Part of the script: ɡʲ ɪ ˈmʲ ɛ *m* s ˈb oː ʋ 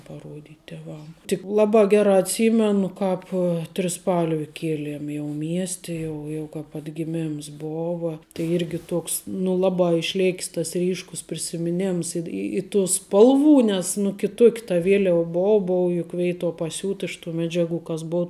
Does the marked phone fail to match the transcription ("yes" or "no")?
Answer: no